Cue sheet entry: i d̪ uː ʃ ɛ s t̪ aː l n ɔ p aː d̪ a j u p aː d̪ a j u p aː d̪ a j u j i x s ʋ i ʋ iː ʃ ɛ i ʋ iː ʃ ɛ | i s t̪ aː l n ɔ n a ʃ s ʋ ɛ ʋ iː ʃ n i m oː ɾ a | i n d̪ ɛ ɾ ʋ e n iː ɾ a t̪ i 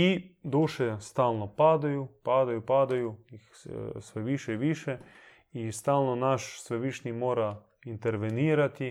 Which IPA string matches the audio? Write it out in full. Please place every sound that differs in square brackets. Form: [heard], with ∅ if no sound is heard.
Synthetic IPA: i d̪ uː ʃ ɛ s t̪ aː l n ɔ p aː d̪ a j u p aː d̪ a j u p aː d̪ a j u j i x s ʋ [ɛ] ʋ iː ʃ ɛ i ʋ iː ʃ ɛ | i s t̪ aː l n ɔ n a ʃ s ʋ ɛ ʋ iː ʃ n i m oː ɾ a | i n [t̪] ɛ ɾ ʋ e n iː ɾ a t̪ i